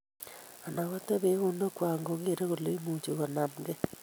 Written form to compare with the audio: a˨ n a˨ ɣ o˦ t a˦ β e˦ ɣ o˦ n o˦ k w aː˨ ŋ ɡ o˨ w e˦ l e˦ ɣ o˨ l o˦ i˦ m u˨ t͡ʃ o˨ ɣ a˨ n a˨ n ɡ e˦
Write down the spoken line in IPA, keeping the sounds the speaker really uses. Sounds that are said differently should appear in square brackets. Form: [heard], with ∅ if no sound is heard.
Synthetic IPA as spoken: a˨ n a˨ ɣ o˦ t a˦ β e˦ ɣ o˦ n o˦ k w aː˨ ŋ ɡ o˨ [ɣ] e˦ [ɾ] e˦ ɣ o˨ l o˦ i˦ m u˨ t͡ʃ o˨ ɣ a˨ n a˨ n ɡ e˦